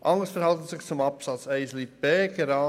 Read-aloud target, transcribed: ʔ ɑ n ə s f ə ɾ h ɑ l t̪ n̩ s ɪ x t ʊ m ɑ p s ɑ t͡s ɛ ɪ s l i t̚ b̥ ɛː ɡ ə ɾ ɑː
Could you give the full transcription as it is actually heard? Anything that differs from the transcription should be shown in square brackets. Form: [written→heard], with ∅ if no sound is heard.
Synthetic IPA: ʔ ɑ [n→ŋ] ə s f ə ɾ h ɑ l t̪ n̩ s ɪ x [t→t͡s] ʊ m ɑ p s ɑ t͡s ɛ ɪ s l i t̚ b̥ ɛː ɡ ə ɾ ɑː